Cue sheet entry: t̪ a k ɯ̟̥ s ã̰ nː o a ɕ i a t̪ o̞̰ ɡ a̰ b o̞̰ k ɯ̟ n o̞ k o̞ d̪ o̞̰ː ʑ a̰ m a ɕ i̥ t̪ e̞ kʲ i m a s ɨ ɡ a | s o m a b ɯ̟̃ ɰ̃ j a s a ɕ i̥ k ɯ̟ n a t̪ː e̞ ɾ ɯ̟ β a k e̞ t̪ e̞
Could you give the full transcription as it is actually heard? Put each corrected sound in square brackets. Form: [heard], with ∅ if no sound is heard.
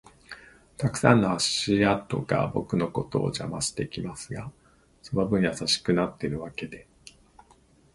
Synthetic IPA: t̪ a k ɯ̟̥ s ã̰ nː o a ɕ i a t̪ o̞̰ ɡ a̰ b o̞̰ k ɯ̟ n o̞ k o̞ [t̪] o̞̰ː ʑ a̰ m a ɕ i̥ t̪ e̞ kʲ i m a s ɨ ɡ a | s o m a b ɯ̟̃ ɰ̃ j a s a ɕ i̥ k ɯ̟ n a t̪ː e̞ ɾ ɯ̟ β a k e̞ [d̪] e̞